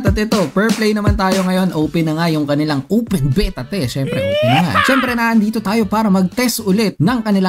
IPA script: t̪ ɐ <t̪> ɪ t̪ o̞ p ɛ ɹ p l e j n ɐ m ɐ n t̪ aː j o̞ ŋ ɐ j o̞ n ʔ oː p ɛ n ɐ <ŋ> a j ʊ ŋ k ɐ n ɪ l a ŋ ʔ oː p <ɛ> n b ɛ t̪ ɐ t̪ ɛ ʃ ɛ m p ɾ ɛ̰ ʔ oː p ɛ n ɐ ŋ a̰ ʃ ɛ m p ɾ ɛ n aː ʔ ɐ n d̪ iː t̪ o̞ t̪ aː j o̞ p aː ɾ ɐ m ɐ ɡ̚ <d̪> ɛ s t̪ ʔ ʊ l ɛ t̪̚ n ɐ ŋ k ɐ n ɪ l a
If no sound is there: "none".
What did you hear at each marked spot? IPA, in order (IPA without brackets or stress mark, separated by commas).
t̪, ŋ, ɛ, t̪